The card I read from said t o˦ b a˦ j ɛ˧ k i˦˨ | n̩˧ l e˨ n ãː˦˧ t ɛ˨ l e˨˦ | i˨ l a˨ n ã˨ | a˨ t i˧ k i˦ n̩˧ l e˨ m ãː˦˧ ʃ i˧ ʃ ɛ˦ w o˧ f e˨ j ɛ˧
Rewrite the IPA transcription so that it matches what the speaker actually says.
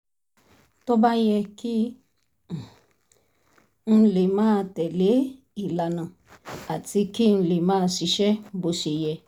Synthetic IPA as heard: t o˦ b a˦ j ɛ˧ k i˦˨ | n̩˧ l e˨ m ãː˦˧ t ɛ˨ l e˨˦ | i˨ l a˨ n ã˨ | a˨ t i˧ k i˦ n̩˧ l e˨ m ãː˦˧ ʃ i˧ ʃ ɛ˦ b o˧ ʃ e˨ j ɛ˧